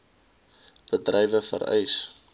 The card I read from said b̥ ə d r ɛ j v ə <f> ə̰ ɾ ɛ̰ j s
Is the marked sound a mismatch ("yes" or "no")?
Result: no